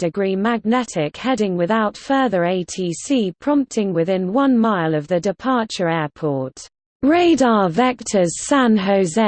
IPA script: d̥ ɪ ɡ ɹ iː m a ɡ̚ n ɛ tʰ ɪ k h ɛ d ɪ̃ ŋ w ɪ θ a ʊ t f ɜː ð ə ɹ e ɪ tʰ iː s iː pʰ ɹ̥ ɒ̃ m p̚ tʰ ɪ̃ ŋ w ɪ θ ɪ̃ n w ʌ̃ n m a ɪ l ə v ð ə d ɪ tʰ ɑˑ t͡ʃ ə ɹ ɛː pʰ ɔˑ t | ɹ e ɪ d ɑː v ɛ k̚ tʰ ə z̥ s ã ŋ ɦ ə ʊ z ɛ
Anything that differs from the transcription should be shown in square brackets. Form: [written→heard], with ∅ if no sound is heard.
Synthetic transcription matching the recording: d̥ ɪ ɡ ɹ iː m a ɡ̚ n ɛ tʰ ɪ k h ɛ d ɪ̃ ŋ w ɪ [θ→ð] a ʊ t f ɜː ð ə ɹ e ɪ tʰ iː s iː pʰ ɹ̥ ɒ̃ m p̚ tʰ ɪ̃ ŋ w ɪ [θ→ð] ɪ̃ n w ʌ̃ n m a ɪ l ə v ð ə d ɪ [tʰ→pʰ] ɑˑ t͡ʃ ə ɹ ɛː pʰ ɔˑ t | ɹ e ɪ d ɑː v ɛ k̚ tʰ ə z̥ s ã [ŋ→n] ɦ ə ʊ z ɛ